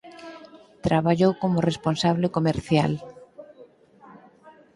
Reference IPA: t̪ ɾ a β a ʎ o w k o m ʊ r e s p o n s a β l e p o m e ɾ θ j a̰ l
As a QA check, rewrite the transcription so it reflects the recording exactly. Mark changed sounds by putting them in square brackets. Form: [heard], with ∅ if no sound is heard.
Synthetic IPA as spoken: t̪ ɾ a β a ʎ o w k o m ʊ r e s p o n s a β l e [k] o m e ɾ θ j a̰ l

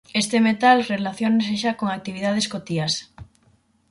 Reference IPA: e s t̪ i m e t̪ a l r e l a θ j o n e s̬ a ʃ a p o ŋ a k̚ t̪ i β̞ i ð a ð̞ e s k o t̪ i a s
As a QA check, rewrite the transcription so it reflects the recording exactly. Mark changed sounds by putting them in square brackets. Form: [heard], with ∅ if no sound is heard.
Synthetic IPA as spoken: e s t̪ [e] m e t̪ a l r e l a θ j o n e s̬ [e] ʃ a [k] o ŋ a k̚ t̪ i β̞ i ð a ð̞ e s k o t̪ i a s

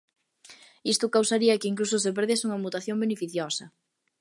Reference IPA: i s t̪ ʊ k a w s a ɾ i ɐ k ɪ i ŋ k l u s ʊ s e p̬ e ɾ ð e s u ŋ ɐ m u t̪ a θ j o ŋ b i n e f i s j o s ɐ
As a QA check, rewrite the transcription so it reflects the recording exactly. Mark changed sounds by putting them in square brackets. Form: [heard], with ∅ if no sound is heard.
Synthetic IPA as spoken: i s t̪ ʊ k a w s a ɾ i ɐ k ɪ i ŋ k l u s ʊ s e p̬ e ɾ ð e s u ŋ ɐ m u t̪ a θ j o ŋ b [e] n e f i [θ] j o s ɐ

